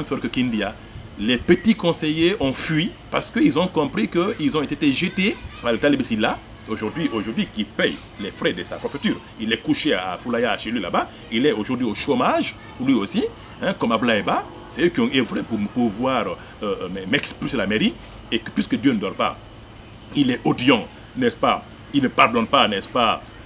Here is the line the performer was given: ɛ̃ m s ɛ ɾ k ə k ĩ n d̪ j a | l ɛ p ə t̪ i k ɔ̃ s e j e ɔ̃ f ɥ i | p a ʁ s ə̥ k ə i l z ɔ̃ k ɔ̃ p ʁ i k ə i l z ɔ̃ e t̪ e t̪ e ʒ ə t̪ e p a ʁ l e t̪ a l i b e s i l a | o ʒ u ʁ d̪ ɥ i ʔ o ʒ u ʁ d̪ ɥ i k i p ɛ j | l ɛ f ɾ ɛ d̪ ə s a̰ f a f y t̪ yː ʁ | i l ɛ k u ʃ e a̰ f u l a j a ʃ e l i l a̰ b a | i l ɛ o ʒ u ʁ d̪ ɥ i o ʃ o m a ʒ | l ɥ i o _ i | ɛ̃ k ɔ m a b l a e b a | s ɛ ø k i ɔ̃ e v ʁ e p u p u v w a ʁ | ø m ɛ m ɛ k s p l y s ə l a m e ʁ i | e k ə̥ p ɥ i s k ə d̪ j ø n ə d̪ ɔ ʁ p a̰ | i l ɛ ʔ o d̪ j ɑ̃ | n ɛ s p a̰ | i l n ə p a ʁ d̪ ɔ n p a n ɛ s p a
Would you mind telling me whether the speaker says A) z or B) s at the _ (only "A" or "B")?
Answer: B